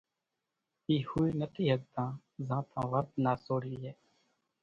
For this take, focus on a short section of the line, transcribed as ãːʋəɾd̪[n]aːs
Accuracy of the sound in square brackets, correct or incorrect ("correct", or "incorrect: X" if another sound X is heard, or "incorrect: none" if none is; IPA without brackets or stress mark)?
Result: correct